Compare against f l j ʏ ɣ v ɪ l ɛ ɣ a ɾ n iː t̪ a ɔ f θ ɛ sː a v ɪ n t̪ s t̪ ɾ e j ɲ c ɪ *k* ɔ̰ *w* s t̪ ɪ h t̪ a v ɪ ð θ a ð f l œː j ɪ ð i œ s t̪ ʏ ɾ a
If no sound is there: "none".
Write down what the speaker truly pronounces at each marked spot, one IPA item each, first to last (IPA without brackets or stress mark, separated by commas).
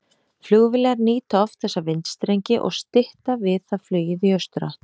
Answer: ʔ, ɣ